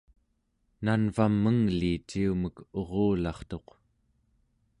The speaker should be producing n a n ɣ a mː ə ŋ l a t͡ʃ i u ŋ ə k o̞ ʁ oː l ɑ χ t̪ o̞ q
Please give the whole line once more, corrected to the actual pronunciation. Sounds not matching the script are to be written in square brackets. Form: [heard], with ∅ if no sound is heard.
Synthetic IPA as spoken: n a n [v] a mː ə ŋ l [i] t͡ʃ i u [m] ə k o̞ ʁ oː l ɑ χ t̪ o̞ q